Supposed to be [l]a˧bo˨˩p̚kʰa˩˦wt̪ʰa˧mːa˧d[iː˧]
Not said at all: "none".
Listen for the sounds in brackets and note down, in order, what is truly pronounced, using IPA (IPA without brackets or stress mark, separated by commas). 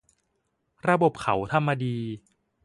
ɾ, iː˧